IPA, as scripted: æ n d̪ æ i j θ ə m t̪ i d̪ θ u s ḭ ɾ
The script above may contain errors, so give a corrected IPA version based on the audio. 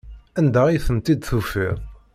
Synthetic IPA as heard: æ n d̪ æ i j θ ə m t̪ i d̪ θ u f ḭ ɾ

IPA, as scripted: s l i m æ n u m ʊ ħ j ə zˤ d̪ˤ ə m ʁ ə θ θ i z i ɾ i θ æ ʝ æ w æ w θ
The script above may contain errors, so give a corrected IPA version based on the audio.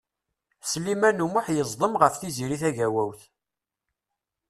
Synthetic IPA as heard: s l i m æ n u m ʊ ħ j ə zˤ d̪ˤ ə m ʁ ə f θ i z i ɾ i θ æ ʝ æ w æ w θ

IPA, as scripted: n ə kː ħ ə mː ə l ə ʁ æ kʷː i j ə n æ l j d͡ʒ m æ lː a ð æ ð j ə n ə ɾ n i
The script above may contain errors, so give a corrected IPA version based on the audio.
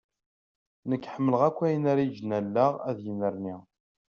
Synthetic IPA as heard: n ə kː ħ ə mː ə l ə ʁ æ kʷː æ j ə n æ ɾ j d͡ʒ n æ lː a ʁ æ ð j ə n ə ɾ n i

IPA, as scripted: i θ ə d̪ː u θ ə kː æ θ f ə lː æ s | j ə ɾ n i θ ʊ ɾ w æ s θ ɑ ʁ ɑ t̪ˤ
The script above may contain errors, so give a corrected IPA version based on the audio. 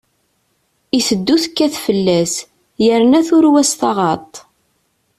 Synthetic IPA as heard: i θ ə d̪ː u θ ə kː æ θ f ə lː æ s | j ə ɾ n æ θ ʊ ɾ w æ s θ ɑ ʁ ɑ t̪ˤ

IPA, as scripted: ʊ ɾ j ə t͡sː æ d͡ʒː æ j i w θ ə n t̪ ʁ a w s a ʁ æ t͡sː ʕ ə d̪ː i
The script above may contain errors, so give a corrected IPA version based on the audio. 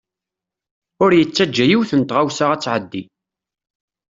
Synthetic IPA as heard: ʊ ɾ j ə t͡sː æ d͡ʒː æ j i w θ ə n t̪ ʁ a w s a ʁ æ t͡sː ʕ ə d̪ː i

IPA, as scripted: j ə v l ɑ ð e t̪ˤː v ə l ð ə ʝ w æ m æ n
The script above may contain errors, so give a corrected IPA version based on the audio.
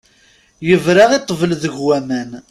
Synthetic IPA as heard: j ə v ɾ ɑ ʁ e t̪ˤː v ə l ð ə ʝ w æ m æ n

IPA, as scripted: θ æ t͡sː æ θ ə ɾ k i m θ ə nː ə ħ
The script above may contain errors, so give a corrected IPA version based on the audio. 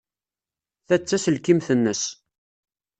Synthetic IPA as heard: θ æ t͡sː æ s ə l k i m θ ə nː ə s

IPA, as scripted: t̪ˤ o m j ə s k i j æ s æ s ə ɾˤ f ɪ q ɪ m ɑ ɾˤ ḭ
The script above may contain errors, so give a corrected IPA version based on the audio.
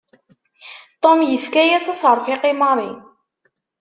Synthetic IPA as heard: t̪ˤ o m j ə f k æ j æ s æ s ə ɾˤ f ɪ q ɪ m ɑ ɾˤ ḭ

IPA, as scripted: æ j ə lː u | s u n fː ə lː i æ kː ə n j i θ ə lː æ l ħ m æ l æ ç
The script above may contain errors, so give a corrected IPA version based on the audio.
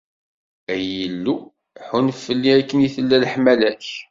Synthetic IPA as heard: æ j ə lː u | ħ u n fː ə lː i æ kː ə n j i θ ə lː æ l ħ m æ l æ ç

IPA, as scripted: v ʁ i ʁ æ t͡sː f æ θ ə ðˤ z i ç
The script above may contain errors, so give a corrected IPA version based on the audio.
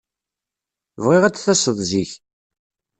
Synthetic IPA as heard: v ʁ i ʁ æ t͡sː θ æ s ə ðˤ z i ç

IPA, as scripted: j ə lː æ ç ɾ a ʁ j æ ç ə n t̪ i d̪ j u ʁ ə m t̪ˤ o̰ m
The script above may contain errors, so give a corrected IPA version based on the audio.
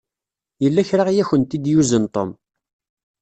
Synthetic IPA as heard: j ə lː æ ç ɾ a ʁ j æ ç ə n t̪ i d̪ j u z ə n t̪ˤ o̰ m

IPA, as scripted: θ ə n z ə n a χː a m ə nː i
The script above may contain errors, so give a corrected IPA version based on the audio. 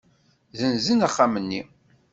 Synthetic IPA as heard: ð ə n z ə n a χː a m ə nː i

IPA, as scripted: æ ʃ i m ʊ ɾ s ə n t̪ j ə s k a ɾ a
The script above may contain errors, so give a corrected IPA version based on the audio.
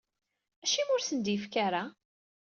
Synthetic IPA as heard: æ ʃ i m ʊ ɾ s ə n d̪ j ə f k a ɾ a

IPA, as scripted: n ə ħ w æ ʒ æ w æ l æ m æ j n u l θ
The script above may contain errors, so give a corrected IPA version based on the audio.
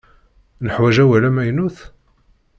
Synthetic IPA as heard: n ə ħ w æ ʒ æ w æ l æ m æ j n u θ

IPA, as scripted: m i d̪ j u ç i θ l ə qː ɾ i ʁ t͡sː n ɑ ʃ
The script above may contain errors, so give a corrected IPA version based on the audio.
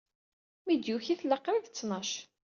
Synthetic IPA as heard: m i d̪ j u ç i θ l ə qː ɾ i ð t͡sː n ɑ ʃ

